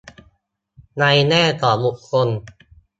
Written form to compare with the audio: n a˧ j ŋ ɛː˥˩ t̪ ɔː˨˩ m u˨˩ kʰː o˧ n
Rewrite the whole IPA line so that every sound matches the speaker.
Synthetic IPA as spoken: n a˧ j n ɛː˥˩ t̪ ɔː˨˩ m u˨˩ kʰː o˧ n

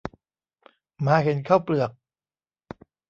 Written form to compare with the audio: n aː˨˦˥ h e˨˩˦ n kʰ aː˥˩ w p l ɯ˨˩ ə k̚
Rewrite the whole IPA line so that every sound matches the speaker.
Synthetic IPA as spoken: m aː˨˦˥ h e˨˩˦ n kʰ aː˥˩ w p l ɯ˨˩ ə k̚

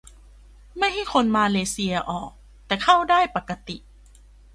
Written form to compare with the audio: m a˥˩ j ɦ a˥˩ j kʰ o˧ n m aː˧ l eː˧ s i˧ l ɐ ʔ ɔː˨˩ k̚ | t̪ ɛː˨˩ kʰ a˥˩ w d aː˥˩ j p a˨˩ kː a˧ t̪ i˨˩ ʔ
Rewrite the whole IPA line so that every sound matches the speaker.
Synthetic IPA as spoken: m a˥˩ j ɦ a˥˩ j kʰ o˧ n m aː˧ l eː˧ s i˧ ɐ ʔ ɔː˨˩ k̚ | t̪ ɛː˨˩ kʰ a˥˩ w d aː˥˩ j p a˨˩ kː a˧ t̪ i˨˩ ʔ

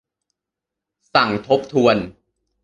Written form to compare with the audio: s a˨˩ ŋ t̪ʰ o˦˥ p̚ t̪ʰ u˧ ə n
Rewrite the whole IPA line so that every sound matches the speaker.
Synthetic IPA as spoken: s a˨˩ ŋ t̪ʰ o˦˥ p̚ t̪ʰ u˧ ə n

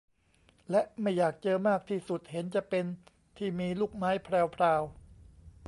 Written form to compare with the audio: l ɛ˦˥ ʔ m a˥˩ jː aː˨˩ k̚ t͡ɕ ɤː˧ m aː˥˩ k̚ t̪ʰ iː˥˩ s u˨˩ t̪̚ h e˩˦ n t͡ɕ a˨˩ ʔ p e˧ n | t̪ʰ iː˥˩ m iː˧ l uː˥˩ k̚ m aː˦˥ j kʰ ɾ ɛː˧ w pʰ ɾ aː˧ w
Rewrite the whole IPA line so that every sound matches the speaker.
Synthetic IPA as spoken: l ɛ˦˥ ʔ m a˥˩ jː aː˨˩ k̚ t͡ɕ ɤː˧ m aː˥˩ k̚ t̪ʰ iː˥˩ s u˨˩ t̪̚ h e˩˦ n t͡ɕ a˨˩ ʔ p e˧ n | t̪ʰ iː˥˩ m iː˧ l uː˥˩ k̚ m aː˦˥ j pʰ ɾ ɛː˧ w pʰ ɾ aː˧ w

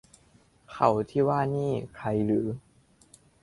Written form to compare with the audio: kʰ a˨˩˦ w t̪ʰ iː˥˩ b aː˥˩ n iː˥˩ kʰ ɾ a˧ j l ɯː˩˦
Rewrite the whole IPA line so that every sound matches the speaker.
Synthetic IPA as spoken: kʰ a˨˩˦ w t̪ʰ iː˥˩ w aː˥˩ n iː˥˩ kʰ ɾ a˧ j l ɯː˩˦

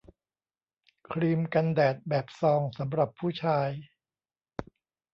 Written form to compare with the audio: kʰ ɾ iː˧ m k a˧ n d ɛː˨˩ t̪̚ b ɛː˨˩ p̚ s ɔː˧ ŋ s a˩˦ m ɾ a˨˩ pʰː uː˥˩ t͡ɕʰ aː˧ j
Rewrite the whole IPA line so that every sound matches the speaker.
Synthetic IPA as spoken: kʰ ɾ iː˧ m k a˧ n d ɛː˨˩ t̪̚ b ɛː˨˩ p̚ s ɔː˧ ŋ s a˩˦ m ɾ a˨˩ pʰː uː˥˩ t͡ɕʰ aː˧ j

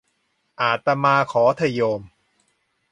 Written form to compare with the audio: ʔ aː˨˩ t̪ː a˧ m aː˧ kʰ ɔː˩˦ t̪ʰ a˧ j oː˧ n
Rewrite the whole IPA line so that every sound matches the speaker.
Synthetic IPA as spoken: ʔ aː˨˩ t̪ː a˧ m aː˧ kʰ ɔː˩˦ t̪ʰ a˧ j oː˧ m

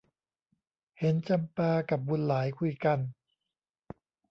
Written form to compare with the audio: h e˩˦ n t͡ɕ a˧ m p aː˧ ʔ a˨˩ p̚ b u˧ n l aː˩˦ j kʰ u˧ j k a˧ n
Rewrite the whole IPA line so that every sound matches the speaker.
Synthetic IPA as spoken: h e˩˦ n t͡ɕ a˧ m p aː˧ k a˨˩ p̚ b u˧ n l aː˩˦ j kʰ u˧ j k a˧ n

